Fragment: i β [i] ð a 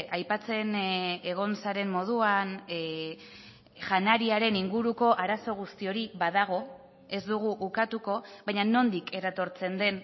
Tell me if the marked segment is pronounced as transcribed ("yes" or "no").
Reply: no